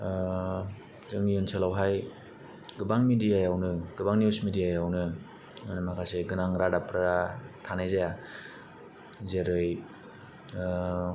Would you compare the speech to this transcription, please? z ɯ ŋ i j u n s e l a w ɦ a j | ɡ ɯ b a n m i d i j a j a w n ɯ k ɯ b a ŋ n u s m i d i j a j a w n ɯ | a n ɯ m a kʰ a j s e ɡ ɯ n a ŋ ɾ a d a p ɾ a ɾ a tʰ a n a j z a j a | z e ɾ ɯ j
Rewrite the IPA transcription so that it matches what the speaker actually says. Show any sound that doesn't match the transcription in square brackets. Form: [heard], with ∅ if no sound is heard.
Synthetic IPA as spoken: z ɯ ŋ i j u n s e l a w ɦ a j | ɡ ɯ b a [ŋ] m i d i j a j a w n ɯ [ɡ] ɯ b a ŋ n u s m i d i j a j a w n ɯ | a n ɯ m a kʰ a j s e ɡ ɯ n a ŋ ɾ a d a p ɾ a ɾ a tʰ a n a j z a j a | z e ɾ ɯ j